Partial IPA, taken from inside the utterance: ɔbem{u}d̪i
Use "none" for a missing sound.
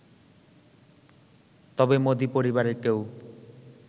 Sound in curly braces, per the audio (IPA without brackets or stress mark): o